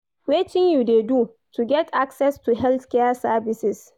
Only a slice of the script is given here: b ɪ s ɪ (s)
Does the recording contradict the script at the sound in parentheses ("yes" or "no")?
no